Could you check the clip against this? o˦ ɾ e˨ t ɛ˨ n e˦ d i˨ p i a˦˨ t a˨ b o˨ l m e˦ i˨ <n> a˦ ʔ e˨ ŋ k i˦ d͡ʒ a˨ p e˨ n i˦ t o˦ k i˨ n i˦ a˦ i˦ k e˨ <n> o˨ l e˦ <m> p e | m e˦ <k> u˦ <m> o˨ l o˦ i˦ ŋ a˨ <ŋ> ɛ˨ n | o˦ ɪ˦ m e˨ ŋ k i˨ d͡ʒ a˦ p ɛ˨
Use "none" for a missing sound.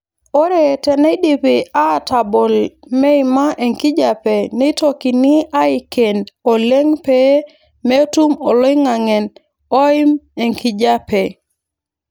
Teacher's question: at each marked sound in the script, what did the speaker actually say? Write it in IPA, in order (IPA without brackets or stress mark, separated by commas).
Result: m, n, ŋ, t, m, ŋ